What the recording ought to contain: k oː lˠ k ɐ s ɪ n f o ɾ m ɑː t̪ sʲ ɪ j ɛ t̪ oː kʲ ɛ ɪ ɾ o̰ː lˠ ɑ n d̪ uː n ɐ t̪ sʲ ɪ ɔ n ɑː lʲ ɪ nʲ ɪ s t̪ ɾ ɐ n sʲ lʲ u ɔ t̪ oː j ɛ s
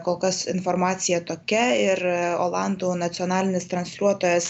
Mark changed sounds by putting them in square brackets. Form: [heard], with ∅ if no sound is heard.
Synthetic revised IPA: k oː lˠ k ɐ s ɪ n f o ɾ m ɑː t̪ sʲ ɪ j ɛ t̪ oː kʲ ɛ ɪ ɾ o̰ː lˠ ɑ n d̪ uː n ɐ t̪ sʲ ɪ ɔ n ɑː lʲ ɪ nʲ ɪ s t̪ ɾ ɐ n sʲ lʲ u ɔ t̪ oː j ɛ s